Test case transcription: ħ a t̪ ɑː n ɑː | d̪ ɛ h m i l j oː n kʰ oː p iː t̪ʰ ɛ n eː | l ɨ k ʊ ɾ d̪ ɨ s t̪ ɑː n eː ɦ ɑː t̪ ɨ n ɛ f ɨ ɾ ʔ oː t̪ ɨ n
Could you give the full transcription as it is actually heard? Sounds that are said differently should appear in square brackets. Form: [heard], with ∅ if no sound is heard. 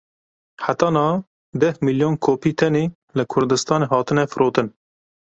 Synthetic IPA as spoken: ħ a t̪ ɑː n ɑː | d̪ ɛ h m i l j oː n kʰ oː p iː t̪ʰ ɛ n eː | l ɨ [kʰ] ʊ ɾ d̪ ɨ s t̪ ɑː n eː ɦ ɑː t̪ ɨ n ɛ f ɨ ɾ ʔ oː t̪ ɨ n